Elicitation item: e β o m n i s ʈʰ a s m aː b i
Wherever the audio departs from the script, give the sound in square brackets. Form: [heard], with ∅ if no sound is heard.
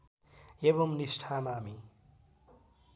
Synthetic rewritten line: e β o m n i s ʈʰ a [∅] m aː [m] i